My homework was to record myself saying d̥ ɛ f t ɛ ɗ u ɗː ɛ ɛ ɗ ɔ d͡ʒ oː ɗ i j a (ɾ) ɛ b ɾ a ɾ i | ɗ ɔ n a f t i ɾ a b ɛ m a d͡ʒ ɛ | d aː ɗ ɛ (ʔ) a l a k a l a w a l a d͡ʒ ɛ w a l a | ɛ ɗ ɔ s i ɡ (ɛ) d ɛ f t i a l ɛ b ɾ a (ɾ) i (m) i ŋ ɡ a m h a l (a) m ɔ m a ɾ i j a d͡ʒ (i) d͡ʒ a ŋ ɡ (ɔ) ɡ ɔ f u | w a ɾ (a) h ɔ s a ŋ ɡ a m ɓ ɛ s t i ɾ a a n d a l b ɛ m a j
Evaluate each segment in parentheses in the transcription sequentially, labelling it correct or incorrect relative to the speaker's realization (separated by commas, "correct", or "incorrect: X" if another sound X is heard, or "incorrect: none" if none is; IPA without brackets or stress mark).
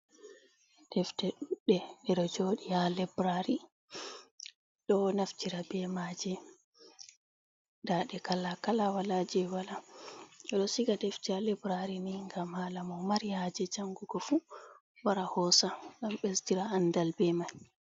incorrect: l, incorrect: k, incorrect: a, correct, incorrect: n, correct, incorrect: ɛ, incorrect: u, correct